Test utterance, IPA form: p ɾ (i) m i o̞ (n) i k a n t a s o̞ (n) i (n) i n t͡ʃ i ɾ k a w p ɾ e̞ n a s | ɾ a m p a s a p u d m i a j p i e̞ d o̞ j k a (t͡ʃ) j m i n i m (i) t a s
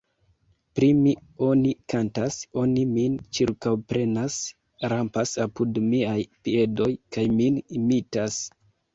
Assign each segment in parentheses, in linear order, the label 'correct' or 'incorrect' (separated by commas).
correct, correct, correct, incorrect, incorrect, correct